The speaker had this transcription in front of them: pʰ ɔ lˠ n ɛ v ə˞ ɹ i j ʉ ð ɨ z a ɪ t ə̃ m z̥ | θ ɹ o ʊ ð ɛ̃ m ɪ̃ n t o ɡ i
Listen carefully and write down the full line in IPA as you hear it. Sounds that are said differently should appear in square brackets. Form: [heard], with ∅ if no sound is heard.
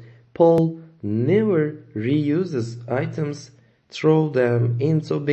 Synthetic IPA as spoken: pʰ ɔ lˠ n ɛ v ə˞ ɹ i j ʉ [z] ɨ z a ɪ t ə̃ m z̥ | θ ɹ o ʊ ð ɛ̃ m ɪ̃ n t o [b] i